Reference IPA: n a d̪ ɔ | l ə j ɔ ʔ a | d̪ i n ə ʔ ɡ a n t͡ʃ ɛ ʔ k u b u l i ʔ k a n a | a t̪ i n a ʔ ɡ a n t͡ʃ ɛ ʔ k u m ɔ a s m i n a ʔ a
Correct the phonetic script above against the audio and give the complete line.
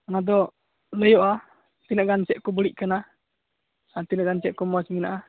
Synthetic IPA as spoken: n a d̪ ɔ | l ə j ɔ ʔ a | t̪ i n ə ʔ ɡ a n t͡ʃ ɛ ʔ k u b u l i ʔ k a n a | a t̪ i n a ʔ ɡ a n t͡ʃ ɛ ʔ k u m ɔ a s m i n a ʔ a